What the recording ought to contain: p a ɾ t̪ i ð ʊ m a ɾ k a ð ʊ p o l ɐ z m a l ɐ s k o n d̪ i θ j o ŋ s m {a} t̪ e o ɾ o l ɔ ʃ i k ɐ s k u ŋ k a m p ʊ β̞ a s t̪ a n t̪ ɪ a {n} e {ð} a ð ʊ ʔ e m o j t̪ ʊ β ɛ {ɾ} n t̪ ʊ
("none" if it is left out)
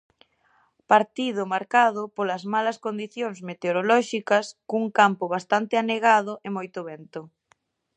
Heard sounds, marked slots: e, n, ɣ, none

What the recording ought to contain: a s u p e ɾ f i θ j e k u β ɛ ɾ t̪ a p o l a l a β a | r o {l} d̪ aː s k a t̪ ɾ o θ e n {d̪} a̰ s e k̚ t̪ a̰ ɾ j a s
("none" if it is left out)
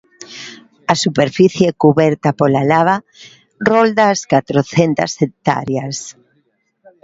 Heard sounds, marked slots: l, t̪

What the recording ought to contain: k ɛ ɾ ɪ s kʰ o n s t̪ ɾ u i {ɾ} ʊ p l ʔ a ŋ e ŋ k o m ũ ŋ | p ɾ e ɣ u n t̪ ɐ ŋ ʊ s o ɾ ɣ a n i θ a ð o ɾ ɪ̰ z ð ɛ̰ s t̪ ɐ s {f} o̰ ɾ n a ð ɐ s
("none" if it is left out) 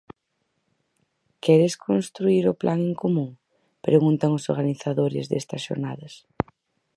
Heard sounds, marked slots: ɾ, ʃ

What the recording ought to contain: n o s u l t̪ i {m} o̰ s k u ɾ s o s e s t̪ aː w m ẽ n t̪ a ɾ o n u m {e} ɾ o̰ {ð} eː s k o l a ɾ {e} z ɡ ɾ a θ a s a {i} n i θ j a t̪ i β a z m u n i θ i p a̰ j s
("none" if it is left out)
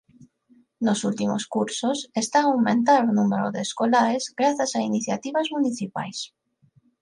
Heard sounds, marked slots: m, e, ð, e, i

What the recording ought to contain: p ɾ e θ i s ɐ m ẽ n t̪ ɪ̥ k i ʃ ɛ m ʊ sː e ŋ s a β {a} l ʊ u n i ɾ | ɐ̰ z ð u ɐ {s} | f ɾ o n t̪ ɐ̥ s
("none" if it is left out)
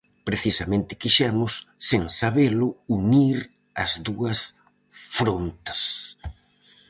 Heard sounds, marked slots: e, s

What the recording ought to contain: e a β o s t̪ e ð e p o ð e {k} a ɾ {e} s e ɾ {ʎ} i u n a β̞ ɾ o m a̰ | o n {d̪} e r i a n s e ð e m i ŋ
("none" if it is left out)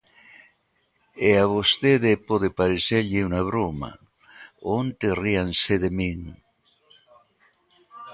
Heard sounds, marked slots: p, e, ʎ, t̪

